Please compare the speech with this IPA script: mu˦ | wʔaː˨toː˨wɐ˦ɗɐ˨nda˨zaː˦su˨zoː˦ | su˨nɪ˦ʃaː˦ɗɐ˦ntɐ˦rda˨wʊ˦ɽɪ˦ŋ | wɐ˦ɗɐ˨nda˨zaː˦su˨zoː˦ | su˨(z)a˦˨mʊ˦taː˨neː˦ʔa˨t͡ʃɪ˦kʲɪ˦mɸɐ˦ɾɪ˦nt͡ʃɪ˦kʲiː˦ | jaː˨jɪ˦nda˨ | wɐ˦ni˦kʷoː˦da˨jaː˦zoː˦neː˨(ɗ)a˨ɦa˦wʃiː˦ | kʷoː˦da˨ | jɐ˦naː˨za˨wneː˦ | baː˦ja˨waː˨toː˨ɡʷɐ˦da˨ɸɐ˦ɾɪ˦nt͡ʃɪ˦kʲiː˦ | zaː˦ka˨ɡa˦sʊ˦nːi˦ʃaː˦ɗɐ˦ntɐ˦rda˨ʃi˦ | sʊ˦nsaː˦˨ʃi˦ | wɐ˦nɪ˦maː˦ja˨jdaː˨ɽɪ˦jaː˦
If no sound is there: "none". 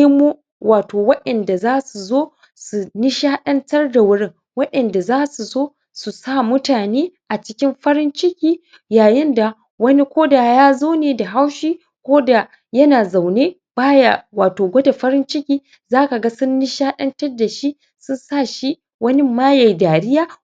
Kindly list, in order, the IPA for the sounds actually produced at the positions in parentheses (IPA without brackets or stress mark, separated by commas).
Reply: s, d